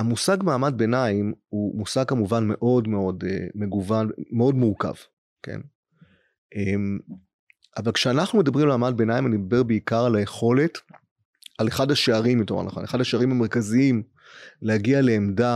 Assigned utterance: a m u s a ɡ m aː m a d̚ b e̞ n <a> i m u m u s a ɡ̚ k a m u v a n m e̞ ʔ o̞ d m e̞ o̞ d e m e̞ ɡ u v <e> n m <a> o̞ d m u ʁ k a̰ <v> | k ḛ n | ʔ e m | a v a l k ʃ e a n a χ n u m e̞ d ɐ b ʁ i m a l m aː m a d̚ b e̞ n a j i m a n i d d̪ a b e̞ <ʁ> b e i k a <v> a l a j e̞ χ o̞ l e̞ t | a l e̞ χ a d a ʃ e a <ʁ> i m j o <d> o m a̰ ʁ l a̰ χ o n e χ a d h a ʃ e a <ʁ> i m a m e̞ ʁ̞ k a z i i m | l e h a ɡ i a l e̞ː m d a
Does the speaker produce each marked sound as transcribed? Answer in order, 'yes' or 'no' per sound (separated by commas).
yes, no, no, yes, yes, no, yes, no, yes